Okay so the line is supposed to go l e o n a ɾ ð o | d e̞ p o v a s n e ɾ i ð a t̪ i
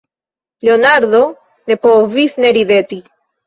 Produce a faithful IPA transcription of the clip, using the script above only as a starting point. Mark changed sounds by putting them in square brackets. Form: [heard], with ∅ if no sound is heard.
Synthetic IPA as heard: l e o n a ɾ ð o | [n] e̞ p o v [i] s n e ɾ i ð [e] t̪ i